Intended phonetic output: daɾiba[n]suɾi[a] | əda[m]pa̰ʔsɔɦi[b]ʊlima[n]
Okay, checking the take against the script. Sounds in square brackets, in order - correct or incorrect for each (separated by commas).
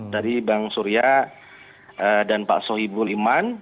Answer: incorrect, correct, incorrect, correct, correct